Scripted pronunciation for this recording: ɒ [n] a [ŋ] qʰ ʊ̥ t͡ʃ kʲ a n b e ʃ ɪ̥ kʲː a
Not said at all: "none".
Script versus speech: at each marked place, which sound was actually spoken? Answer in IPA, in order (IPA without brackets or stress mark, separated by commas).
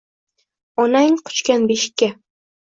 n, ŋ